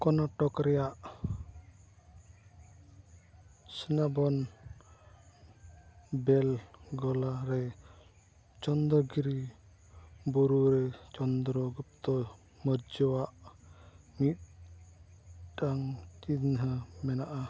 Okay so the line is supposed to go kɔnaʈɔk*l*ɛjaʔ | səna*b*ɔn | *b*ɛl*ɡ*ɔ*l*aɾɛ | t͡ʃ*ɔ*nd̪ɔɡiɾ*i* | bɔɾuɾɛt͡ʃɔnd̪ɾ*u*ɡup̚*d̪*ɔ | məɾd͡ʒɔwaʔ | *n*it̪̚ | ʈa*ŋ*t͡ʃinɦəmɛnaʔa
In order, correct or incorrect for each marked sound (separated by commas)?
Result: incorrect, correct, correct, correct, correct, correct, correct, incorrect, incorrect, incorrect, correct